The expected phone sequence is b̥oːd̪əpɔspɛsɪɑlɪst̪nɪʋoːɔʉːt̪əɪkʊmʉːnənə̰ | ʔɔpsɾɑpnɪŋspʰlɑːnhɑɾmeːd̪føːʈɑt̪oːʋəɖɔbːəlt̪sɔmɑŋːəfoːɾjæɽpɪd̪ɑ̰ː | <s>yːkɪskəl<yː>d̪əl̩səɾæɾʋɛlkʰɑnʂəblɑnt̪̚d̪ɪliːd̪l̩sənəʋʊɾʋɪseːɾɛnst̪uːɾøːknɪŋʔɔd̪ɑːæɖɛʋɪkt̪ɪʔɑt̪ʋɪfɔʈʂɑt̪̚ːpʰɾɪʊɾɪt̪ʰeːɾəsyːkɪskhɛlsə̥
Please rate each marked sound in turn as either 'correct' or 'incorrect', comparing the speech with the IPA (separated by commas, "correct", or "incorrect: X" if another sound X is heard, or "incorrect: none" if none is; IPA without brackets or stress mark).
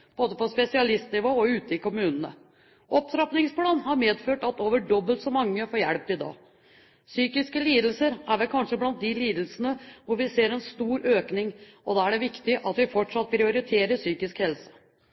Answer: correct, incorrect: iː